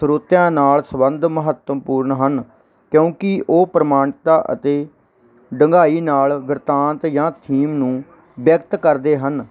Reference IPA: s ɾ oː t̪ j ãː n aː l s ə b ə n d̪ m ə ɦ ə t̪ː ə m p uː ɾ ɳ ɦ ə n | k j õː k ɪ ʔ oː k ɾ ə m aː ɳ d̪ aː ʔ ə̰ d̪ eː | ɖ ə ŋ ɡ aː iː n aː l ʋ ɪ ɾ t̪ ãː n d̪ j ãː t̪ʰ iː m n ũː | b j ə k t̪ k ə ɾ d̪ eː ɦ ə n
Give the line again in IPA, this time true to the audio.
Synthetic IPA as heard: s ɾ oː t̪ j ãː n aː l s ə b ə n d̪ m ə ɦ ə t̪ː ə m p uː ɾ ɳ ɦ ə n | k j õː k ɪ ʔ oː p ɾ ə m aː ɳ t̪ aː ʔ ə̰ t̪ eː | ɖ ə ŋ ɡ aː iː n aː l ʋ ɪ ɾ t̪ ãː n t̪ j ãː t̪ʰ iː m n ũː | b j ə k t̪ k ə ɾ d̪ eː ɦ ə n